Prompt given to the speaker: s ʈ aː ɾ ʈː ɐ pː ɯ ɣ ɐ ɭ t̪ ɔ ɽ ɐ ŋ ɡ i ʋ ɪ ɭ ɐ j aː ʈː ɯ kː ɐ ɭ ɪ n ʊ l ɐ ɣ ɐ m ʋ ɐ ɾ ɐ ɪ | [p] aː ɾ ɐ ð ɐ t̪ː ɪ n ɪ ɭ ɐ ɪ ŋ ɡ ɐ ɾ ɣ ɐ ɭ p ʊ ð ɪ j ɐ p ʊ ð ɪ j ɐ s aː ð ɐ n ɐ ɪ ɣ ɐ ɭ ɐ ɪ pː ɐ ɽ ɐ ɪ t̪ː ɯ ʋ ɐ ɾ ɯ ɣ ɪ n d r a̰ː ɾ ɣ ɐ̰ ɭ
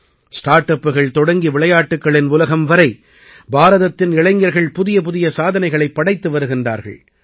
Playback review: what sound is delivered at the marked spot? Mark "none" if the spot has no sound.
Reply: b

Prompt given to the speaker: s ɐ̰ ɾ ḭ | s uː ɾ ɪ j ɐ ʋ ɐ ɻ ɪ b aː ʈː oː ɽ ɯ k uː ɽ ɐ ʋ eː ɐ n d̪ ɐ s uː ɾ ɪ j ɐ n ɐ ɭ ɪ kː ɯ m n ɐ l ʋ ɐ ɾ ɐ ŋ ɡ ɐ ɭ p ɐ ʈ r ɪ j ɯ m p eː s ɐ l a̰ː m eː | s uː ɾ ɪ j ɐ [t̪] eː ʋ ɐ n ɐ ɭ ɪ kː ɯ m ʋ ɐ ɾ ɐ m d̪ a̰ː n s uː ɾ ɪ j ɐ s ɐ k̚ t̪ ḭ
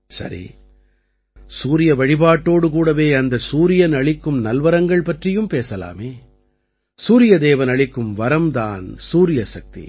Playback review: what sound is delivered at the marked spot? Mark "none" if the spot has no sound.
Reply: d̪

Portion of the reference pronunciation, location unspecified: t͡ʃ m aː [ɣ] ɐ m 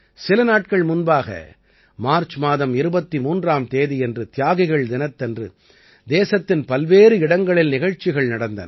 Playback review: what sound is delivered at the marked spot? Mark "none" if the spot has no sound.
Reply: ð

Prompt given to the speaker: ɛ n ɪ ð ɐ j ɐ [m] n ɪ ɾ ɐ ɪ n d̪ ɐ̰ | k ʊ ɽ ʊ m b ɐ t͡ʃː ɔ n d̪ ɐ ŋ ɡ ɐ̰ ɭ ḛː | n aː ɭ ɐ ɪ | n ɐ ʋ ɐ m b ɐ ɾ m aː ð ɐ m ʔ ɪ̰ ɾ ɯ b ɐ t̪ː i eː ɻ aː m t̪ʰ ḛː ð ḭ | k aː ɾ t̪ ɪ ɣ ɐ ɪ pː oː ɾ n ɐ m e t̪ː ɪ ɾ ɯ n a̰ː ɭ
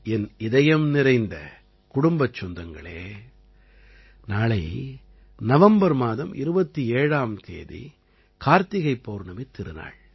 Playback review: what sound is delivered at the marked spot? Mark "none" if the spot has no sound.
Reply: m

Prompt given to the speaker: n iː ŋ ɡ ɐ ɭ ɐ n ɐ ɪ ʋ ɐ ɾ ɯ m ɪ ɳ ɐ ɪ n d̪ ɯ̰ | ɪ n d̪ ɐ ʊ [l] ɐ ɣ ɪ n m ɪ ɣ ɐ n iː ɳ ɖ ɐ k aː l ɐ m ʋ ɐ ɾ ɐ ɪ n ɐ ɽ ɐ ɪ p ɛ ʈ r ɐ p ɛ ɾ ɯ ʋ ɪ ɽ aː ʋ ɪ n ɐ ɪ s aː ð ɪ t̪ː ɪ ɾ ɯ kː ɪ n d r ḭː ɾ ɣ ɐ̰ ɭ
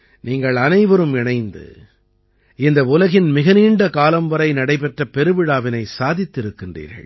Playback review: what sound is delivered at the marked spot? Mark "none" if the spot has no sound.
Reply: l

